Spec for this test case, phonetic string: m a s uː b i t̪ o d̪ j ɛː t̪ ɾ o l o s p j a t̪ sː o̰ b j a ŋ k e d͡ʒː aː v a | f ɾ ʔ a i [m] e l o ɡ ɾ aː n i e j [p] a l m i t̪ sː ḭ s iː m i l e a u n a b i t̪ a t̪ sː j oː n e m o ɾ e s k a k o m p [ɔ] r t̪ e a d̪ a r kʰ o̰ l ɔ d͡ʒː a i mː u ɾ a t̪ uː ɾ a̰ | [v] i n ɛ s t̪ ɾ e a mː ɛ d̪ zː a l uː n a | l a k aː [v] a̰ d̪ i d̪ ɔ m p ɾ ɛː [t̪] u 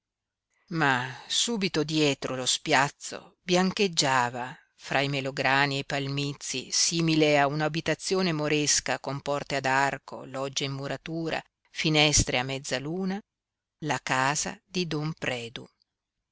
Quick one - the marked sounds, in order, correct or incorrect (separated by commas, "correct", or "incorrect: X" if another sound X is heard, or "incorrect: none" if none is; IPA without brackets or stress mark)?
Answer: correct, correct, correct, incorrect: f, incorrect: z, incorrect: d̪